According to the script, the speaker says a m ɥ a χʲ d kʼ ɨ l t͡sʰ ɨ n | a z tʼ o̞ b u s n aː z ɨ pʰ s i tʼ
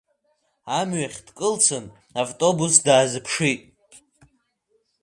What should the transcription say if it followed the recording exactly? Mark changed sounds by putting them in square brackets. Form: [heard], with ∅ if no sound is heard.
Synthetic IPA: a m ɥ a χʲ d kʼ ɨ l t͡sʰ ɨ n | a [v] tʼ o̞ b u s [d] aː z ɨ pʰ [ʂ] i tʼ